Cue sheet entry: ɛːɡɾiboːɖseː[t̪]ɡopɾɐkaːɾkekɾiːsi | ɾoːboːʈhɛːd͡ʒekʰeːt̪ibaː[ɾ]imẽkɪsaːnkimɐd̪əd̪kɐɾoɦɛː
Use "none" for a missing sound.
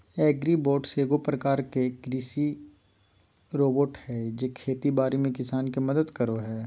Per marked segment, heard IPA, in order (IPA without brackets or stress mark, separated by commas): none, ɾ